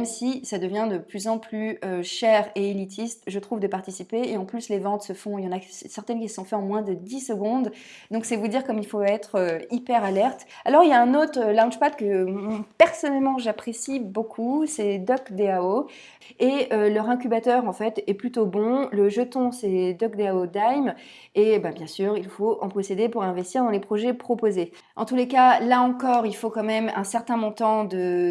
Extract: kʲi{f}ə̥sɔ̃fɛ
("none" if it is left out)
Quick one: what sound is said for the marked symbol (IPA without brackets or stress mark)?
s